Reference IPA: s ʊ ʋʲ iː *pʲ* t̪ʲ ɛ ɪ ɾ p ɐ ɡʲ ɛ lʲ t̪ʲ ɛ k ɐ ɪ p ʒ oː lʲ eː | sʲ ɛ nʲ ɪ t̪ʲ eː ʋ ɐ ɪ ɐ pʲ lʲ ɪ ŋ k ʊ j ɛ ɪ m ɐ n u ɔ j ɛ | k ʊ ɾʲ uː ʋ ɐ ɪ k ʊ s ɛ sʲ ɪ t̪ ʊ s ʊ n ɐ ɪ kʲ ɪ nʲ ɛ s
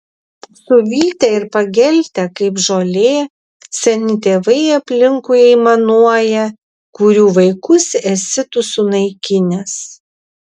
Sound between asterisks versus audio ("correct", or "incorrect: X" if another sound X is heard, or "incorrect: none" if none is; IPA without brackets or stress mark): incorrect: none